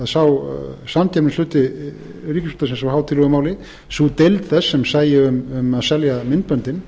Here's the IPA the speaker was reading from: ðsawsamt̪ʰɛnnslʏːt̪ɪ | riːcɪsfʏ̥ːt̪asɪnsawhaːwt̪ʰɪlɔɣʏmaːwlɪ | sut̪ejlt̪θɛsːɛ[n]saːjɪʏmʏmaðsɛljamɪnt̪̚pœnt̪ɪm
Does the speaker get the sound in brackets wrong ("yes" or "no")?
yes